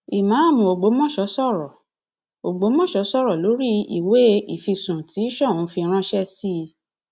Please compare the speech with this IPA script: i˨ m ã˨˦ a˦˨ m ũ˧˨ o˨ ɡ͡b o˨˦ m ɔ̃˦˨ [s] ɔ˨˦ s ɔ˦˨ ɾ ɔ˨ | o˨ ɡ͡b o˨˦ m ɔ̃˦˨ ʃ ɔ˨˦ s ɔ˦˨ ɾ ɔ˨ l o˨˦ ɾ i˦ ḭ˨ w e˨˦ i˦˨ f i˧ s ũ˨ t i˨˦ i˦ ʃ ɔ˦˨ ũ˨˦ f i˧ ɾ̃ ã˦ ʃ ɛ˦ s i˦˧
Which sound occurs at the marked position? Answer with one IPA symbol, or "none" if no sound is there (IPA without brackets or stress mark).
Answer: ʃ